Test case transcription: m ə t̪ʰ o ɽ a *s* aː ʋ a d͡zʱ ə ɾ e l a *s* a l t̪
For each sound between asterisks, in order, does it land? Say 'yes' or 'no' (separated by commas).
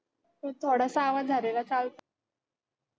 yes, no